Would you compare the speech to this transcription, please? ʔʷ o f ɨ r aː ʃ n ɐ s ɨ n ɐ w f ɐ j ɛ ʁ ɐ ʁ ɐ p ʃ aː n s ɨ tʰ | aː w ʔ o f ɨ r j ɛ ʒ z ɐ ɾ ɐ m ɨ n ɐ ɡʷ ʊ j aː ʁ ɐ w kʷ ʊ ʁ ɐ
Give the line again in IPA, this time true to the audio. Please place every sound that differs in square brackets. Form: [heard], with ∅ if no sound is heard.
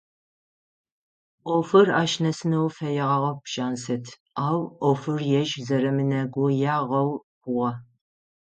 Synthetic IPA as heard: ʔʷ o f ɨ r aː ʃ n ɐ s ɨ n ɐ w f ɐ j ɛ ʁ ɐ ʁ ɐ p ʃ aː n s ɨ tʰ | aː w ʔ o f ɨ r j ɛ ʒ z ɐ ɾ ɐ m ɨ n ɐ ɡʷ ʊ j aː ʁ ɐ w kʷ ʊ ʁ ɐ